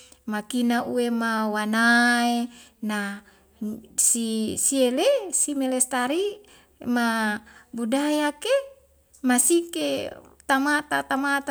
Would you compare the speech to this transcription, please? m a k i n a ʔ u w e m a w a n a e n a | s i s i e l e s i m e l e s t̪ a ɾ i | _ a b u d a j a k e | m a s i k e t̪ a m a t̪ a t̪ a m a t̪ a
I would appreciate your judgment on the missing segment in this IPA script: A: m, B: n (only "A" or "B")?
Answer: A